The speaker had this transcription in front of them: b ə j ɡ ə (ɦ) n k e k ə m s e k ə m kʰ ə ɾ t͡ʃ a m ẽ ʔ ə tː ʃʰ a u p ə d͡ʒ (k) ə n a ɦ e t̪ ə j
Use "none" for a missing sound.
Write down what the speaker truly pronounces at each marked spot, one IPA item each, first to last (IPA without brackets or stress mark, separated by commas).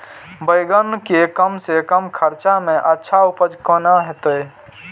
none, k